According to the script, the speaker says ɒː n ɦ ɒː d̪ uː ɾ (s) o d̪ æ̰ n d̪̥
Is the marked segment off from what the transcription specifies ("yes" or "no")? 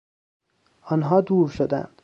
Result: yes